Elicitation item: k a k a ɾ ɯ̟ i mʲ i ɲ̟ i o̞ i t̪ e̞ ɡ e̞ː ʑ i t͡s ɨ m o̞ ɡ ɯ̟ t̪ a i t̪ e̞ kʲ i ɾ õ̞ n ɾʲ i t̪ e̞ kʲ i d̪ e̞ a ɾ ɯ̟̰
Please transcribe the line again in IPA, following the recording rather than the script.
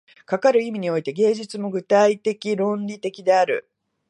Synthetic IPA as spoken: k a k a ɾ ɯ̟ i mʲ i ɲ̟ i o̞ i t̪ e̞ ɡ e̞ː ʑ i t͡s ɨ m o̞ ɡ ɯ̟ t̪ a i t̪ e̞ kʲ i ɾ õ̞ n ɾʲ i t̪ e̞ kʲ i d̪ e̞ a ɾ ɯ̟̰